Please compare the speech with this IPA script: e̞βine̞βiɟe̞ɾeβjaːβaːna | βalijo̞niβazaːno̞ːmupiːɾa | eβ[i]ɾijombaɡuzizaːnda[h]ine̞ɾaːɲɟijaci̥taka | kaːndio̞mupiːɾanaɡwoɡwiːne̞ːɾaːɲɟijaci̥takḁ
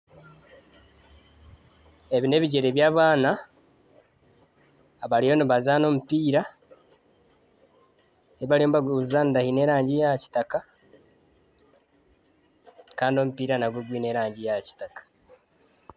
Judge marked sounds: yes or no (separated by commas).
no, yes